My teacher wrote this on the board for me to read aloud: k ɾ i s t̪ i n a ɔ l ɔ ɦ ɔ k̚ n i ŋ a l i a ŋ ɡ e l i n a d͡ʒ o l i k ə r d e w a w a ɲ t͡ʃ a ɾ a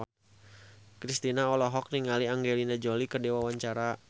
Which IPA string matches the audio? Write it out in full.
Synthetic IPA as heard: k ɾ i s t̪ i n a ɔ l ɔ ɦ ɔ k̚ n i ŋ a l i a ŋ ɡ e l i n a d͡ʒ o l i k ə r d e w a w a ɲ t͡ʃ a ɾ a